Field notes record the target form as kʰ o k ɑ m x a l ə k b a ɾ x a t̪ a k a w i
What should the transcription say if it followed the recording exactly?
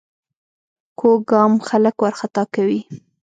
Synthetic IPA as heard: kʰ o ɡ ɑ m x a l ə k w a ɾ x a t̪ ɑ k a w i

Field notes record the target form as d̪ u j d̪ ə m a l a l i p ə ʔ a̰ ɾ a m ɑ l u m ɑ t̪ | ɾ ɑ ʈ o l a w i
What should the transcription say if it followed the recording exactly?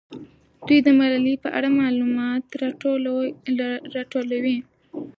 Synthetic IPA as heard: d̪ u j d̪ ə m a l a l i p ə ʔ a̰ ɽ a m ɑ l u m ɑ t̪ | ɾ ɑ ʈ o l a w i

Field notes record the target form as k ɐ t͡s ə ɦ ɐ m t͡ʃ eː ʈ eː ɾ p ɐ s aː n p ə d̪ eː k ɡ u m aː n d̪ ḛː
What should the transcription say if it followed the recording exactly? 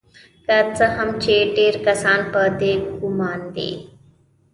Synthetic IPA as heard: k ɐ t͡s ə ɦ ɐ m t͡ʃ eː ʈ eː ɾ k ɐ s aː n p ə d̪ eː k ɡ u m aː n d̪ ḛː

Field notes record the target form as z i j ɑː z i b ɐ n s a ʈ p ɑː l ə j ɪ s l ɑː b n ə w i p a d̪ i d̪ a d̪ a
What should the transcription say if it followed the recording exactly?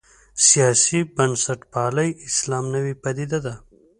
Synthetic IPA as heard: s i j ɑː s i b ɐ n s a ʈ p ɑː l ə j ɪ s l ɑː m n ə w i p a d̪ i d̪ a d̪ a

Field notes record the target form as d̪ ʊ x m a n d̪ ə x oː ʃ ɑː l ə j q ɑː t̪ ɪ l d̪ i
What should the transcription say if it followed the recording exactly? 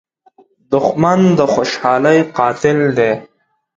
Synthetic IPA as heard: d̪ ʊ x m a n d̪ ə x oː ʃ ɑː l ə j q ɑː t̪ ɪ l d̪ e

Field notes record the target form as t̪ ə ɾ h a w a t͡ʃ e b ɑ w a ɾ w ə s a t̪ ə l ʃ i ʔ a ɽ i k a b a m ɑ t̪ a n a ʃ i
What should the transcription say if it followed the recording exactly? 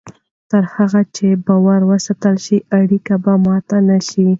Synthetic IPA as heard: t̪ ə ɾ h a ɣ a t͡ʃ e b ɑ w a ɾ w ə s a t̪ ə l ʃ i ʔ a ɽ i k a b a m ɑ t̪ a n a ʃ i

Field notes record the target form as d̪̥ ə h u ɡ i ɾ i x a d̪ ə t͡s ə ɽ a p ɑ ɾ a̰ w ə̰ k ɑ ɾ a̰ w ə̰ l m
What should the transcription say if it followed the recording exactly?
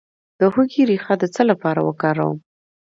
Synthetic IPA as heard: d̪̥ ə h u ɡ i ɾ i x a d̪ ə t͡s ə l a p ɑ ɾ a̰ w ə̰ k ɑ ɾ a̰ w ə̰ m

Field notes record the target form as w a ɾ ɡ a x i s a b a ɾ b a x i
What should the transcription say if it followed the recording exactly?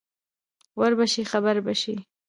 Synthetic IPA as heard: w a ɾ b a ʃ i x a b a ɾ b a ʃ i

